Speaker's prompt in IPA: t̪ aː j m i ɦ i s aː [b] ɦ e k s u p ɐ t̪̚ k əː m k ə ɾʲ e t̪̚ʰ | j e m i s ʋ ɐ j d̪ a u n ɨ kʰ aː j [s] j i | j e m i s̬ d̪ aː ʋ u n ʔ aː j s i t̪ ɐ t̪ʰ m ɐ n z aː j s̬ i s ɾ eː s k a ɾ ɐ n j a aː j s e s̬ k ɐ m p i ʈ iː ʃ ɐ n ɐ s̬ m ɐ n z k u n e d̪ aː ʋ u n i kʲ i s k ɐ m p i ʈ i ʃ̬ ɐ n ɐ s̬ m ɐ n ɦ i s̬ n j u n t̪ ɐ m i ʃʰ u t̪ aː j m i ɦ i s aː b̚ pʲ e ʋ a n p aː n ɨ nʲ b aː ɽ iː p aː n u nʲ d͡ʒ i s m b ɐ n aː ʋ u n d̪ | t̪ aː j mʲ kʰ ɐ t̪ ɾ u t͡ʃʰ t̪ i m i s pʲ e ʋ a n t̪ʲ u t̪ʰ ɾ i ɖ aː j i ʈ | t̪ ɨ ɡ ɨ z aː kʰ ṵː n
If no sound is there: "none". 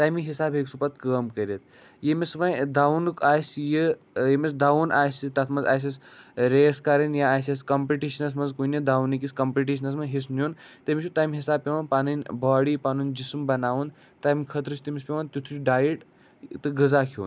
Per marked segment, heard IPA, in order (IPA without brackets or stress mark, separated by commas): b, s